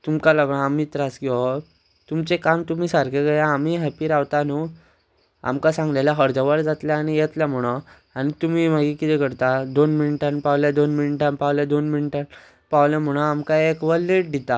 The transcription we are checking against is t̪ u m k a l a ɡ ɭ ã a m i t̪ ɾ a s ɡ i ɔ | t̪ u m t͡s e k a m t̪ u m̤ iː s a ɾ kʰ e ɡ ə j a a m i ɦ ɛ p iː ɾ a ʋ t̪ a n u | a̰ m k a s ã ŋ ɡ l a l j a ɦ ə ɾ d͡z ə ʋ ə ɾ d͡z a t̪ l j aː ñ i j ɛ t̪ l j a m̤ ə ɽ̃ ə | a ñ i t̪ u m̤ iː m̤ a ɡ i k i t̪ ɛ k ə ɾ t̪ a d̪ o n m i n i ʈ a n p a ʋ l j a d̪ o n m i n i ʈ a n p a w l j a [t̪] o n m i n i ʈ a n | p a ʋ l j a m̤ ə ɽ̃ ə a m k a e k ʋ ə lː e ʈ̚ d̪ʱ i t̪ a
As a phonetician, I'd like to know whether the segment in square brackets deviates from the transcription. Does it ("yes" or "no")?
yes